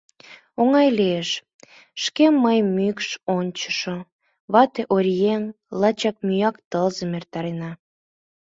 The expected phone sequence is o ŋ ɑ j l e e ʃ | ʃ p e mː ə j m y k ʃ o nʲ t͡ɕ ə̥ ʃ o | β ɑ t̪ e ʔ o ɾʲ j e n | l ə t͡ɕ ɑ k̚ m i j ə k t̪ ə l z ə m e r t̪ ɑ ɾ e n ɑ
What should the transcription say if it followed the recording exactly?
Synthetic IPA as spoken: o ŋ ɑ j l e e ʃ | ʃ k e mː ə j m y k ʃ o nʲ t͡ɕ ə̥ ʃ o | β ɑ t̪ e ʔ o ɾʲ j e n | l ɑ t͡ɕ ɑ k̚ m y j ɑ k t̪ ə l z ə m e r t̪ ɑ ɾ e n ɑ